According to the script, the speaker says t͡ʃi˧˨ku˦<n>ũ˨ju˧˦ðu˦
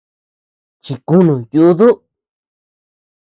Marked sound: correct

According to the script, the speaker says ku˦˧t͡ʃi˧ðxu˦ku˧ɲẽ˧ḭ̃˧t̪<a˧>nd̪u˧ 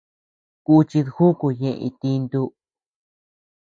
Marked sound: incorrect: i˧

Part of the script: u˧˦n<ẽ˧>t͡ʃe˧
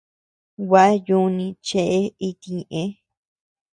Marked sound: incorrect: ĩ˧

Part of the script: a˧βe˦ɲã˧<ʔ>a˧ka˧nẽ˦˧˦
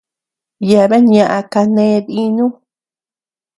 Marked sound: correct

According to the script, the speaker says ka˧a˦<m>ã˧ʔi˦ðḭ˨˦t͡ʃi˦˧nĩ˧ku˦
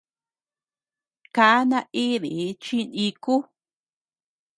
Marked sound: incorrect: n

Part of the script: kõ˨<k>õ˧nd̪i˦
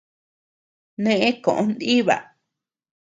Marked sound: incorrect: ʔ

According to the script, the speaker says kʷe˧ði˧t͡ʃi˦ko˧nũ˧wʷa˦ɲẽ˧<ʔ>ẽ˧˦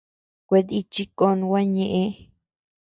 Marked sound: correct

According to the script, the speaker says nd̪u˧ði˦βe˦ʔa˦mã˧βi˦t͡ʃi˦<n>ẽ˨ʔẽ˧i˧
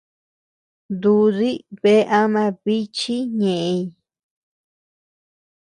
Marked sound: incorrect: ɲ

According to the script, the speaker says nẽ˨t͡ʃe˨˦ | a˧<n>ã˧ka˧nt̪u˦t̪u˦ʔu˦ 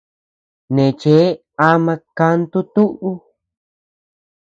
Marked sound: incorrect: m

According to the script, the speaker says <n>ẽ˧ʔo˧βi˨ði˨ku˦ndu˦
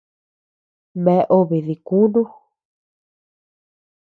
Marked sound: incorrect: m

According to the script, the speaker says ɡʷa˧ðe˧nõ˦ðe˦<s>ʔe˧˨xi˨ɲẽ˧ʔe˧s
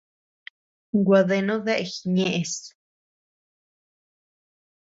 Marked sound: incorrect: none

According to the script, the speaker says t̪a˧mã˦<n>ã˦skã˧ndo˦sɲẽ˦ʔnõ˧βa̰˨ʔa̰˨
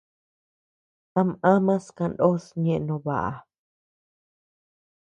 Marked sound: incorrect: m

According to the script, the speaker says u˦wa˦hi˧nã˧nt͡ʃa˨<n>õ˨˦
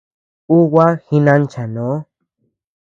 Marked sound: correct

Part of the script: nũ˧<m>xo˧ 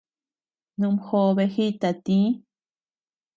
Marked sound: correct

